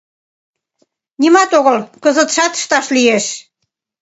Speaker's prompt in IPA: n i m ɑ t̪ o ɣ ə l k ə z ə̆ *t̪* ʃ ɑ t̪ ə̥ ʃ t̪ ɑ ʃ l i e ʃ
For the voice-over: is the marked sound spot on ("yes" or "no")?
yes